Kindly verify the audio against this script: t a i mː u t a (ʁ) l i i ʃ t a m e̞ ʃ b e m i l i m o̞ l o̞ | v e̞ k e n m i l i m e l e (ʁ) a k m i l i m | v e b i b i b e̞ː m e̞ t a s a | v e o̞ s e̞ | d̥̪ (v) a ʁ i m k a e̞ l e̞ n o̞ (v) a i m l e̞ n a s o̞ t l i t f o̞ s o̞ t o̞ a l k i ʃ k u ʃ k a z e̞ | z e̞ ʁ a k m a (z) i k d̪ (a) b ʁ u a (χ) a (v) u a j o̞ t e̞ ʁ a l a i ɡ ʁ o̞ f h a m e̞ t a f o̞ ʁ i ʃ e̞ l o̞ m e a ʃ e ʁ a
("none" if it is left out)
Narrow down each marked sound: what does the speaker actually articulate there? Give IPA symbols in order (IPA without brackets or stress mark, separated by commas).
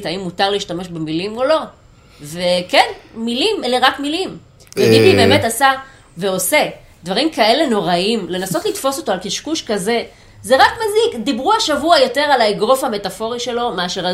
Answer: ʁ, ʁ, v, ʁ, z, i, ʃ, v